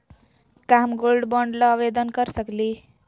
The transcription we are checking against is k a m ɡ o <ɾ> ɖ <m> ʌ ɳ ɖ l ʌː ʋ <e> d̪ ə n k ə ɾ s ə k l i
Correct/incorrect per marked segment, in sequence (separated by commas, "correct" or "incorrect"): incorrect, incorrect, correct